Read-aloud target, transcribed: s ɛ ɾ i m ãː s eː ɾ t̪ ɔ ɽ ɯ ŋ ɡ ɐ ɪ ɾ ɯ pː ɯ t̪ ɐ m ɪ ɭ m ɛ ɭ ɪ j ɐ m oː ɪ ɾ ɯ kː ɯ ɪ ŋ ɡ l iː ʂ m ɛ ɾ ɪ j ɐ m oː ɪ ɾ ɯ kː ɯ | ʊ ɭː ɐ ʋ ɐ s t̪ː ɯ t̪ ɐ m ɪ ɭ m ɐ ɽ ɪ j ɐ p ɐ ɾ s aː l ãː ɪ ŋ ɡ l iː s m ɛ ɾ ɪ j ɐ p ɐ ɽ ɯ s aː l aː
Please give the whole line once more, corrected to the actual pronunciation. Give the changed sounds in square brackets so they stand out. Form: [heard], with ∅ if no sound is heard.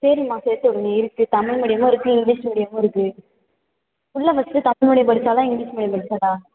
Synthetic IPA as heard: s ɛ ɾ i m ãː s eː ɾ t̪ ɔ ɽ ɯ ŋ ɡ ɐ ɪ ɾ ɯ [kː] ɯ t̪ ɐ m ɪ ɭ m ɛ [ɽ] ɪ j ɐ m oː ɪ ɾ ɯ kː ɯ ɪ ŋ ɡ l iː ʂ m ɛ [ɽ] ɪ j ɐ m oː ɪ ɾ ɯ kː ɯ | ʊ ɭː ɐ ʋ ɐ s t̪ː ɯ t̪ ɐ m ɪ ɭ m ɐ ɽ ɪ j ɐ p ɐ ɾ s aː l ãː ɪ ŋ ɡ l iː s m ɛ [ɽ] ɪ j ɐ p ɐ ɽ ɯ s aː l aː